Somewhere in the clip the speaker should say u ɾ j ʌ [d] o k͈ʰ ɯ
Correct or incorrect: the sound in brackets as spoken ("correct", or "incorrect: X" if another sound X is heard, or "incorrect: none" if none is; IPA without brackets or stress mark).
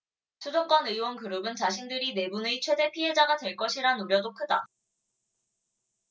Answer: correct